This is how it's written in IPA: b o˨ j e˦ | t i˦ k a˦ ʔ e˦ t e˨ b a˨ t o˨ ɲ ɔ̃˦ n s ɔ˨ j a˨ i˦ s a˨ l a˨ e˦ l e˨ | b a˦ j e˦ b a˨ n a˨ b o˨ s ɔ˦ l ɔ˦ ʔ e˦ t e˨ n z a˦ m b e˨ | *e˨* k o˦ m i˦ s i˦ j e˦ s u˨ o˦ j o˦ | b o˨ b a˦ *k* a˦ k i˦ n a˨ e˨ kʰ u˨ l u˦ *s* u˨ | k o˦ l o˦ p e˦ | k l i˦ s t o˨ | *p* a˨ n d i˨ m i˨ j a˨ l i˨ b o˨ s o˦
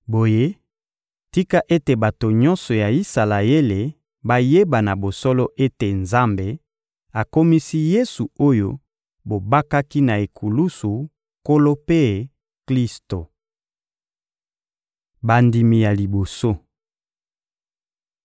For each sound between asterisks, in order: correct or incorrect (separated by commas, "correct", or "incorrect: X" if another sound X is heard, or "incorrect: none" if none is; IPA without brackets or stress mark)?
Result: incorrect: a˨, correct, correct, incorrect: b